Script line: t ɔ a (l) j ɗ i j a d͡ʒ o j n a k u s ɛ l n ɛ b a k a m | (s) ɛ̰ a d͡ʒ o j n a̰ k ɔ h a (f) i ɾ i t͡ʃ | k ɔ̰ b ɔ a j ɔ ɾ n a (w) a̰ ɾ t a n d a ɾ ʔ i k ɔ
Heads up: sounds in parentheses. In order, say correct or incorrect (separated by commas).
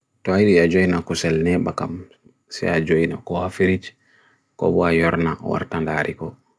incorrect, correct, correct, correct